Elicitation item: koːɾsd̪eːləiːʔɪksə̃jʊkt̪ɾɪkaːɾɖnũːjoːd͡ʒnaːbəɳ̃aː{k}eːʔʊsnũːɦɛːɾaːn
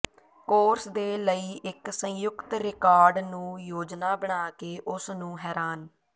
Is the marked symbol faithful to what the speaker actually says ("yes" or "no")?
yes